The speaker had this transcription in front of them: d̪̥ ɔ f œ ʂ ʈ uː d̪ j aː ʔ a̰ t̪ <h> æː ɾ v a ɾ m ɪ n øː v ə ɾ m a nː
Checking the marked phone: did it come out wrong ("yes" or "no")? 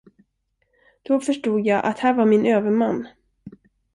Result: no